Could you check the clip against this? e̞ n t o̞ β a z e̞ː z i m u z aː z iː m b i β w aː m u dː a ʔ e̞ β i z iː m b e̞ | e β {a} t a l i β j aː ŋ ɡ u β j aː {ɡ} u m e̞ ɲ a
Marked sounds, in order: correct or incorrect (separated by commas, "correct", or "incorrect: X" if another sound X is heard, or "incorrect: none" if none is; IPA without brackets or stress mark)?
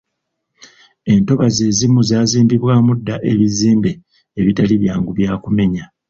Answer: incorrect: i, incorrect: k